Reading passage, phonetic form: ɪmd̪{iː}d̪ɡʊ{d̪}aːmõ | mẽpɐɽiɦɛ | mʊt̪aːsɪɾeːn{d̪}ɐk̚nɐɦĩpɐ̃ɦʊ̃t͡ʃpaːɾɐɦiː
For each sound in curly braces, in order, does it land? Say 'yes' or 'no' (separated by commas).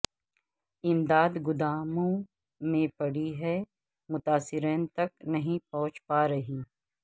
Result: no, yes, no